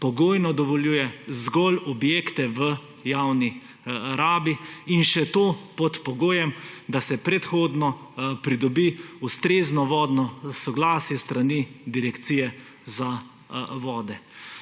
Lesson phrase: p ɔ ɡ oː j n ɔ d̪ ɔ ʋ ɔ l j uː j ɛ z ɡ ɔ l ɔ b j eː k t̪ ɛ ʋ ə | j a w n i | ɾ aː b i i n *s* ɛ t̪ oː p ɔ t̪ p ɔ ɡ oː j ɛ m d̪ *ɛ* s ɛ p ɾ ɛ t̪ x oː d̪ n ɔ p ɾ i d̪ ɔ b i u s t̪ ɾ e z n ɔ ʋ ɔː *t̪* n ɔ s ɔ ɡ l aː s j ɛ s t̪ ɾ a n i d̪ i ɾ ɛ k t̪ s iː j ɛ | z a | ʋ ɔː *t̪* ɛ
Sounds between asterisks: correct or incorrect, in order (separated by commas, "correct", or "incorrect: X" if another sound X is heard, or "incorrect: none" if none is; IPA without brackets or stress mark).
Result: incorrect: ʃ, incorrect: a, incorrect: d̪, incorrect: d̪